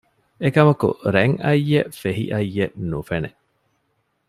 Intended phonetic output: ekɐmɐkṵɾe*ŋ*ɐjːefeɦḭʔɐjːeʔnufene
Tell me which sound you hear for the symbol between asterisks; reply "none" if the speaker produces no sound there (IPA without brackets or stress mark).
ŋ